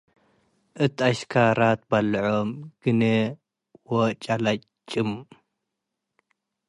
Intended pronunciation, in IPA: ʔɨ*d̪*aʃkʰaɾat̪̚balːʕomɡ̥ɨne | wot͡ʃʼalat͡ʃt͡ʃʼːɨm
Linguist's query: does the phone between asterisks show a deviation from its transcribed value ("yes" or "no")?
yes